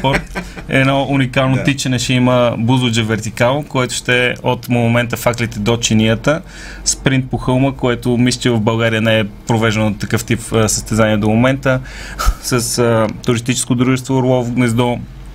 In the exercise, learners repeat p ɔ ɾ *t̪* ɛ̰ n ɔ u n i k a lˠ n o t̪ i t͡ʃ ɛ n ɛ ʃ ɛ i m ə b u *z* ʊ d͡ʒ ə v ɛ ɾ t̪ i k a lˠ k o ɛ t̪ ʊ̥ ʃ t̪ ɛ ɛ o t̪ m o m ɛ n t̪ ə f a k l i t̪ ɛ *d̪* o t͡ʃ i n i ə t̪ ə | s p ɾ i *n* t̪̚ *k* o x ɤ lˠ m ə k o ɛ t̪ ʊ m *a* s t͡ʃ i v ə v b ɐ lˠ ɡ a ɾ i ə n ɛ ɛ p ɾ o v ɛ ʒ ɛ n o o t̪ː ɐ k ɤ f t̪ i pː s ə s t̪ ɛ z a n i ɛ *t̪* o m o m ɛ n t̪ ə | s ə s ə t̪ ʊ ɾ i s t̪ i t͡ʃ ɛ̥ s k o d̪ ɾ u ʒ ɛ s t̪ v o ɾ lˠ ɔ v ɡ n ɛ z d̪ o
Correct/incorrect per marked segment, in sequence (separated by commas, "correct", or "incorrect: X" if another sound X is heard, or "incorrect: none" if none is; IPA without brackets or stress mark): correct, correct, correct, correct, incorrect: p, incorrect: i, incorrect: d̪